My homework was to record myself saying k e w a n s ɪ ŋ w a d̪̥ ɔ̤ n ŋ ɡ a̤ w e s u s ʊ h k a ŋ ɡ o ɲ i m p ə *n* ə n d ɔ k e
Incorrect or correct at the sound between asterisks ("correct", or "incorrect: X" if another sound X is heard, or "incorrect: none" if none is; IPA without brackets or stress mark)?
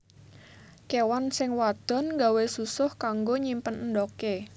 correct